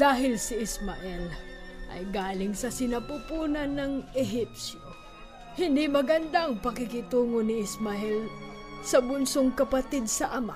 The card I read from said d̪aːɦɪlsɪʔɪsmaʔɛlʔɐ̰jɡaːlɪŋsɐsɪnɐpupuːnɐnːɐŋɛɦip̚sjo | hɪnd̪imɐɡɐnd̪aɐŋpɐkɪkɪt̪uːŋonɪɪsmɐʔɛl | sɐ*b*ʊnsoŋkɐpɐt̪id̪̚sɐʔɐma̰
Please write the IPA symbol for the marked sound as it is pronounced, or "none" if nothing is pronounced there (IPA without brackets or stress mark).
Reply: b